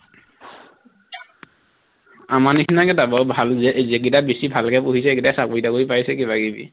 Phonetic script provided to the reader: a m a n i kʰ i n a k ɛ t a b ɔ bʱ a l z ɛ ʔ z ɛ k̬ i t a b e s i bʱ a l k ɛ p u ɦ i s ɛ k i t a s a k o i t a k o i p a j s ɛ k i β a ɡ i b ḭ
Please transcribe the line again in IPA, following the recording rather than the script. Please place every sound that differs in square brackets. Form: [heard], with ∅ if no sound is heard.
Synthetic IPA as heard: a m a n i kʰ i n a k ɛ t a b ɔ bʱ a l z ɛ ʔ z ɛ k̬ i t a b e s i bʱ a l k ɛ p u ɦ i s ɛ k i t a s a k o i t a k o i p a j s ɛ k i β a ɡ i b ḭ